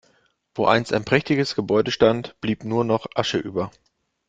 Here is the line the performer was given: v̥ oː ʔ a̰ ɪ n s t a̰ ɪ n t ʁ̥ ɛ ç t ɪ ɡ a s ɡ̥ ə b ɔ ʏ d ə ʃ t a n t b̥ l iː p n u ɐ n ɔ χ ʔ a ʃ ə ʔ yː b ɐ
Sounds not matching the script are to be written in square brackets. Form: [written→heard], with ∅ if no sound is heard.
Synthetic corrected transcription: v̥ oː ʔ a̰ ɪ n s t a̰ ɪ n [t→p] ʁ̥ ɛ ç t ɪ ɡ [a→ə] s ɡ̥ ə b ɔ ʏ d ə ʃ t a n t b̥ l iː p n [u→uː] ɐ n ɔ χ ʔ a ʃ ə ʔ yː b ɐ